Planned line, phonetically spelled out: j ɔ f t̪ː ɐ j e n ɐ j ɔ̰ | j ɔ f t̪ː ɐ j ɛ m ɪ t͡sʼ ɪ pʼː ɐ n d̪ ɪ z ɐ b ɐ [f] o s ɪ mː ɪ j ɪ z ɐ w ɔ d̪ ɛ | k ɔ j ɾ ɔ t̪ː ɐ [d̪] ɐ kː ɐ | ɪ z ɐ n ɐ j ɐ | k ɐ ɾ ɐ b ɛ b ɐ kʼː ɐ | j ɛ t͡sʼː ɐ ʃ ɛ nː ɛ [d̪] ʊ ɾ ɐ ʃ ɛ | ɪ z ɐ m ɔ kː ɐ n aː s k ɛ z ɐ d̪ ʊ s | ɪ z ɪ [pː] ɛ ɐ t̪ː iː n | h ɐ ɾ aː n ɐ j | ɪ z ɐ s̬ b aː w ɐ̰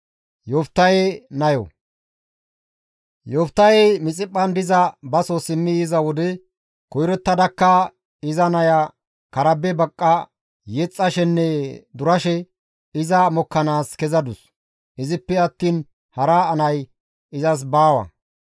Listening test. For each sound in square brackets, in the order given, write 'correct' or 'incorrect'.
incorrect, correct, correct, correct

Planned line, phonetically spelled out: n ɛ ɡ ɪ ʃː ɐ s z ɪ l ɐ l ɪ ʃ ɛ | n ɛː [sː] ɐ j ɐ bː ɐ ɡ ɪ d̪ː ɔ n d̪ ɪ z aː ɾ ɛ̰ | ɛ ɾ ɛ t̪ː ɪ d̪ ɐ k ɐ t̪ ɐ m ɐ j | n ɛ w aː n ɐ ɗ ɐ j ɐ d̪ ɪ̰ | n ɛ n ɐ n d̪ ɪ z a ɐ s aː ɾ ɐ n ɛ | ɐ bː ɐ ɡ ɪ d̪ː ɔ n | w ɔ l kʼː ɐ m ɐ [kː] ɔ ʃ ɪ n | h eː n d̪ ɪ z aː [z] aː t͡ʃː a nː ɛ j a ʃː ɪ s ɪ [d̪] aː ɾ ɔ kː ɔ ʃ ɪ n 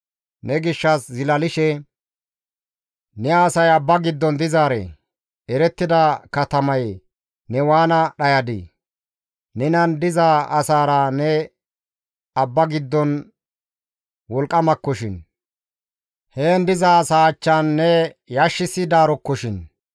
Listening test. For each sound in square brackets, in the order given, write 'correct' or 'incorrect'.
incorrect, correct, incorrect, correct

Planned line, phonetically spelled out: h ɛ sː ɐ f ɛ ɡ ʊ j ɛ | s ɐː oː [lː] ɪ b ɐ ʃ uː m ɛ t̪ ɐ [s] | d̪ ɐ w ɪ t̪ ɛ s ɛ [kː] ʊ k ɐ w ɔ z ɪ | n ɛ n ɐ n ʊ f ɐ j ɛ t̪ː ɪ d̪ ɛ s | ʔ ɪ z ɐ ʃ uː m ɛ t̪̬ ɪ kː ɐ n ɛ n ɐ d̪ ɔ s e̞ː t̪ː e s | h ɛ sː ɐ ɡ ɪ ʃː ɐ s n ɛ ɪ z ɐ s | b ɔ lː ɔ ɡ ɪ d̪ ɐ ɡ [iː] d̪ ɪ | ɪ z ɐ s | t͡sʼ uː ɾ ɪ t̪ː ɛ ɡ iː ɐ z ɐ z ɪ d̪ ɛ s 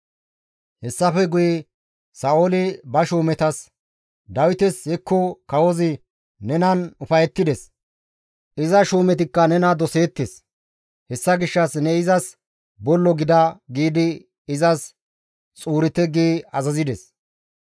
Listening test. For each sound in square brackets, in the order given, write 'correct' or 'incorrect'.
incorrect, correct, correct, correct

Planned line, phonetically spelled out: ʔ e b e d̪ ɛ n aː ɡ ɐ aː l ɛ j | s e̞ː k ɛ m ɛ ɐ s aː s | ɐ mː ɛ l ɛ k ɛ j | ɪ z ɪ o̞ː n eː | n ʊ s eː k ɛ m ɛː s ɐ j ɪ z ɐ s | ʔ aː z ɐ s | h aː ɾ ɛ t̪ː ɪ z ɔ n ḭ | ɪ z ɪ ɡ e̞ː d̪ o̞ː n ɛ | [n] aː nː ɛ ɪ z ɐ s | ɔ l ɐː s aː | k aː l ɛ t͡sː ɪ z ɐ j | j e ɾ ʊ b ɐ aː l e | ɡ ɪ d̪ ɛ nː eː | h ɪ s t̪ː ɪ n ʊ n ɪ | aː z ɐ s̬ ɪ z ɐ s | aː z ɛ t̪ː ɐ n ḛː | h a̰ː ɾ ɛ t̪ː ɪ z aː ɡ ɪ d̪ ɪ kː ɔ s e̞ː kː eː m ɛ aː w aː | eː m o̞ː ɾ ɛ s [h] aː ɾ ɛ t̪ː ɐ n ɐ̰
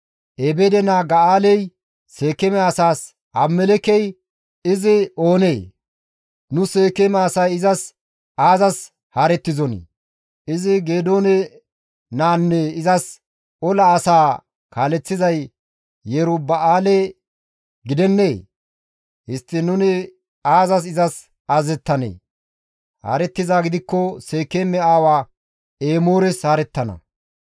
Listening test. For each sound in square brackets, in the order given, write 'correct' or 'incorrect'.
correct, correct

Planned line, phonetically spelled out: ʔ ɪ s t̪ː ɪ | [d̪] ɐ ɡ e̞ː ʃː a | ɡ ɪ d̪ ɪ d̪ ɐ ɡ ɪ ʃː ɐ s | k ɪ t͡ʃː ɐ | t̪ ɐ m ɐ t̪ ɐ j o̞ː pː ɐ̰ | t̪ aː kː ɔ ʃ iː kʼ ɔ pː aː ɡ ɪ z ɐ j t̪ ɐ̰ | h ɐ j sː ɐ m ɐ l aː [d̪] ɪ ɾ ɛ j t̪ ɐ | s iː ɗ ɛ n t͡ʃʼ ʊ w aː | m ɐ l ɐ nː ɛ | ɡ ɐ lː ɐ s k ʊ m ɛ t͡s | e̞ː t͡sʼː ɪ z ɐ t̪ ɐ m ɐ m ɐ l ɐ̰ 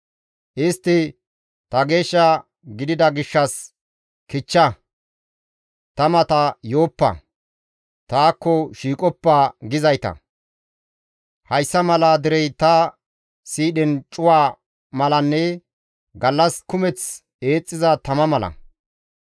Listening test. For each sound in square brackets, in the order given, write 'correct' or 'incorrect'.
incorrect, correct

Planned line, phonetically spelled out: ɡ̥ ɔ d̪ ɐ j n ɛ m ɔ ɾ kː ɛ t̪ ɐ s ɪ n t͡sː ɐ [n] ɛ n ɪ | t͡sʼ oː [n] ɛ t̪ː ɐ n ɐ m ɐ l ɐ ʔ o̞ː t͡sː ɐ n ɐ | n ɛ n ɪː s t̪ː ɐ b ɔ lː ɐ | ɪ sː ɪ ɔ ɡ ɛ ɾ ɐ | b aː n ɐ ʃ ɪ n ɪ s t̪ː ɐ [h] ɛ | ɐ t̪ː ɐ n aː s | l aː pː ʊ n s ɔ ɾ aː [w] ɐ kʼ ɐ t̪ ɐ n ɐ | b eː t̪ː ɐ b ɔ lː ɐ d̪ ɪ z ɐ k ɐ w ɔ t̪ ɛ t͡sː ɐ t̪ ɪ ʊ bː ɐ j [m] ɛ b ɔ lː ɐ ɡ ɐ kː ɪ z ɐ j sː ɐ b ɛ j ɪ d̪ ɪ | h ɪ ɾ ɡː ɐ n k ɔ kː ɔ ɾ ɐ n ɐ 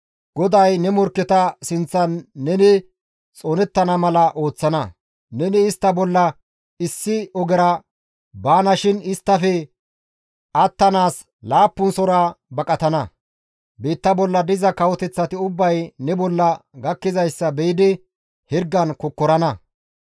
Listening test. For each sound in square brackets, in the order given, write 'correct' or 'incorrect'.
incorrect, correct, incorrect, incorrect, incorrect

